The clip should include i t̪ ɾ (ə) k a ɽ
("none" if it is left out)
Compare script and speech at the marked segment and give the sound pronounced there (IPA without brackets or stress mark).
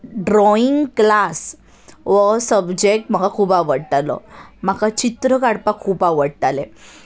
ə